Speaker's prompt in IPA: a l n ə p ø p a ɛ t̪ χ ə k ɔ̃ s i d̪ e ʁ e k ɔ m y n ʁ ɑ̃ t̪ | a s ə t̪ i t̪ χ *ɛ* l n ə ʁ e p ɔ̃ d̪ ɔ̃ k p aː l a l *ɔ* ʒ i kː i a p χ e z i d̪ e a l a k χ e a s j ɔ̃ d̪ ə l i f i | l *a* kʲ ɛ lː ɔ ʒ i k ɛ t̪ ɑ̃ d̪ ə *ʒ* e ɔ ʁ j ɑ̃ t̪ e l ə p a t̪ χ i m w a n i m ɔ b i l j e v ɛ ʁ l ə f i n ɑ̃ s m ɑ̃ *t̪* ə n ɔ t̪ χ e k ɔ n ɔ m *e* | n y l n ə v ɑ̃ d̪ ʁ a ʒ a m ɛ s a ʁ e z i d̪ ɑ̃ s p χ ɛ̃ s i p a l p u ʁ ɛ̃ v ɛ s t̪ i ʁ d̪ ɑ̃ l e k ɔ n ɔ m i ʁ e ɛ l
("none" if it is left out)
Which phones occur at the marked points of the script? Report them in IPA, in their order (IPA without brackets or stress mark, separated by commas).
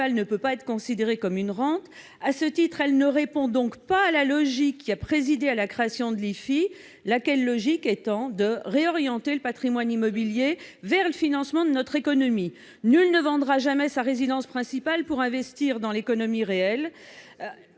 ɛ, ɔ, a, ʁ, d̪, i